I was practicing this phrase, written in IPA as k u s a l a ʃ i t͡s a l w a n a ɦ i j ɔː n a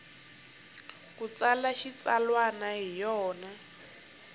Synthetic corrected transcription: k u t͡s a l a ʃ i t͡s a l w a n a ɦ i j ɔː n a